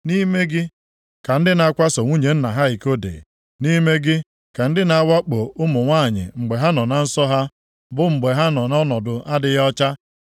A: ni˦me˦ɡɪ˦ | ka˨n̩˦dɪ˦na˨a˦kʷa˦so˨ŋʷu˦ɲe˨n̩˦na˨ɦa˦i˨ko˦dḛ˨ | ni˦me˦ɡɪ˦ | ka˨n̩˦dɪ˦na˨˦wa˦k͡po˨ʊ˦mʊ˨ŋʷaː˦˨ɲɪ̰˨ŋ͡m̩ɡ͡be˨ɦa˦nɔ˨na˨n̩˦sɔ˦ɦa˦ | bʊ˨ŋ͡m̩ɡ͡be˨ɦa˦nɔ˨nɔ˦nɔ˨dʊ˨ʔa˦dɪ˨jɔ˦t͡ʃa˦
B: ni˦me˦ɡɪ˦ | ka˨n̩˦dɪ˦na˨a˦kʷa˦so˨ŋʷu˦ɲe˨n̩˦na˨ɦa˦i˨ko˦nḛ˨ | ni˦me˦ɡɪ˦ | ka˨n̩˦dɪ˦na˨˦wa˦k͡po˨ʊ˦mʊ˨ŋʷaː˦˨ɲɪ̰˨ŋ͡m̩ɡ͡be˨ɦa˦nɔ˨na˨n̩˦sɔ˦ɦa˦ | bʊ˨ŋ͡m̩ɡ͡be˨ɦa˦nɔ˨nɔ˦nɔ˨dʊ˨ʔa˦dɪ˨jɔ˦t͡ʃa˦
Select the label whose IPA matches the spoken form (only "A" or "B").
A